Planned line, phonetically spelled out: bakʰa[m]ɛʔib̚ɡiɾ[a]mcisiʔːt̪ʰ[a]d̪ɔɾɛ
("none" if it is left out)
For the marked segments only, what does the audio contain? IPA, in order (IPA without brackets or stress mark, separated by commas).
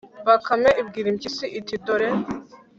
m, i, i